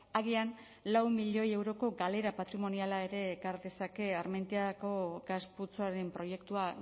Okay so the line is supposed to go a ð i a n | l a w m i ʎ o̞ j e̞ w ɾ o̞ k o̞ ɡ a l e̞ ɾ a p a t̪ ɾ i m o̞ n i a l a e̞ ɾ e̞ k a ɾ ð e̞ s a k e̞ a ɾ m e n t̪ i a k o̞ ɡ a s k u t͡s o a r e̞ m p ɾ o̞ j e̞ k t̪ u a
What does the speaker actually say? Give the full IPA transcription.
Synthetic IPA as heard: a ɣ i a n | l a w m i ʎ o̞ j e̞ w ɾ o̞ k o̞ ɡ a l e̞ ɾ a p a t̪ ɾ i m o̞ n i a l a e̞ ɾ e̞ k a ɾ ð e̞ s a k e̞ a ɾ m e n t̪ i a k o̞ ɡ a s p u t͡s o a ɾ e̞ m p ɾ o̞ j e̞ k t̪ u a